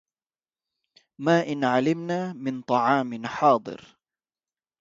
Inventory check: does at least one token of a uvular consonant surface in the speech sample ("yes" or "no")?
no